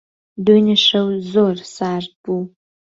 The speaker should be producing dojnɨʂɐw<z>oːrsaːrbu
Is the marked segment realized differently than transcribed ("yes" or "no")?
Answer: no